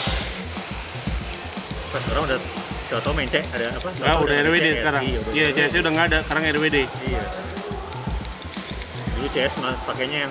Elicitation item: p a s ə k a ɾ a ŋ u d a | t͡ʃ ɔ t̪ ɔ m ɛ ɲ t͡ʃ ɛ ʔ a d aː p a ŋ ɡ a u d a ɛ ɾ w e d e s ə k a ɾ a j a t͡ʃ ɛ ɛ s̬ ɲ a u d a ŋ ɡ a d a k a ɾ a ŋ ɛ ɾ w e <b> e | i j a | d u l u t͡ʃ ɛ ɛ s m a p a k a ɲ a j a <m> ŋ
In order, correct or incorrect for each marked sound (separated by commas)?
incorrect, incorrect